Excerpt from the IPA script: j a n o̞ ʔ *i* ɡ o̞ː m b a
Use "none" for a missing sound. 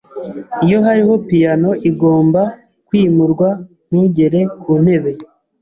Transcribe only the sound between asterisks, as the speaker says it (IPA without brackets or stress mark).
i